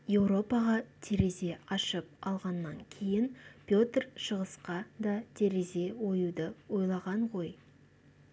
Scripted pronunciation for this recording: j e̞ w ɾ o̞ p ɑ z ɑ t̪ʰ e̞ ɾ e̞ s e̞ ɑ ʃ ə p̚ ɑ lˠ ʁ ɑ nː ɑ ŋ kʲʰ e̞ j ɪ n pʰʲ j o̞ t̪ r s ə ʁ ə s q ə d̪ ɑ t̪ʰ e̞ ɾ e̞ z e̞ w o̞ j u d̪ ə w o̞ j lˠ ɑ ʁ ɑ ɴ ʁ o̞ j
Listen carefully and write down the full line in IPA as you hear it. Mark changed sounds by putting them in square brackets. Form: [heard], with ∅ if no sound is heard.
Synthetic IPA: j e̞ w ɾ o̞ p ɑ [ʁ] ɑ t̪ʰ e̞ ɾ e̞ [z] e̞ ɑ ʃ ə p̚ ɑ lˠ ʁ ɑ nː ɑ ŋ kʲʰ e̞ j ɪ n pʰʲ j o̞ t̪ r [ʃ] ə ʁ ə s q [ɑ] d̪ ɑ t̪ʰ e̞ ɾ e̞ z e̞ w o̞ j u d̪ ə w o̞ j lˠ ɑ ʁ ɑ ɴ ʁ o̞ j